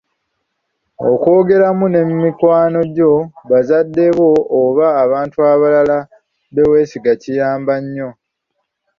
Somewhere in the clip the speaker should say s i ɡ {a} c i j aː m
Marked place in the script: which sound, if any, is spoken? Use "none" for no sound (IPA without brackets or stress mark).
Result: a